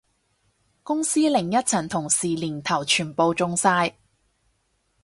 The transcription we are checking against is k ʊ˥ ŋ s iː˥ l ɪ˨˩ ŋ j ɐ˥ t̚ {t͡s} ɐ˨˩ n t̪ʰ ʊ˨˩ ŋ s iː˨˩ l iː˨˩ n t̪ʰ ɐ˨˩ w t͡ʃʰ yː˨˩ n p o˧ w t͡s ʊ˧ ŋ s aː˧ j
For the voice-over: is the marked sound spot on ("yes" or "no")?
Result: no